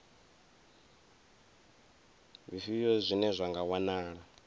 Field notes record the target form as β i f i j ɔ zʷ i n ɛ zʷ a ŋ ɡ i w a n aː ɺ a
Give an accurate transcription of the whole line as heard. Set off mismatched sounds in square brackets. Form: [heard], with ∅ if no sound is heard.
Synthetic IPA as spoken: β i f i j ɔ zʷ i n ɛ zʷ a ŋ ɡ [a] w a n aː ɺ a